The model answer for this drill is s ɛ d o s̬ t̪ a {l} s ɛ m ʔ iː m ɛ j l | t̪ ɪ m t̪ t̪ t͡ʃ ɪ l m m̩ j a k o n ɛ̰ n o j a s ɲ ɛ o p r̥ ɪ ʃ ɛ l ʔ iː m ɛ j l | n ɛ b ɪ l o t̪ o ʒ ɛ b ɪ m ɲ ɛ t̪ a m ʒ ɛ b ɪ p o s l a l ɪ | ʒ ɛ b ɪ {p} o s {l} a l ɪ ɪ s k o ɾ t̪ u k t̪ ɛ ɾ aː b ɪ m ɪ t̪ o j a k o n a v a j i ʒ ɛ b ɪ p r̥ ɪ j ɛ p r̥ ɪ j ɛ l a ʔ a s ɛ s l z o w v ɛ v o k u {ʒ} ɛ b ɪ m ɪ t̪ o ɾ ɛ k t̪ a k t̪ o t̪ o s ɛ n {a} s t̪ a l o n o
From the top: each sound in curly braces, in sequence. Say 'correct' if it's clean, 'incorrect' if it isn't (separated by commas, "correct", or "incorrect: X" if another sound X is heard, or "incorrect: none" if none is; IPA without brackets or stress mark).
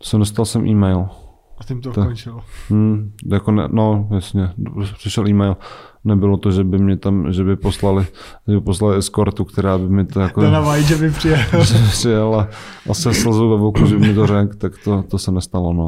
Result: correct, correct, correct, correct, incorrect: ɛ